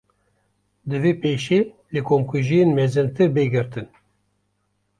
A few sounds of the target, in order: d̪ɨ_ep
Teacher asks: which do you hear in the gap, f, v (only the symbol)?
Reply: v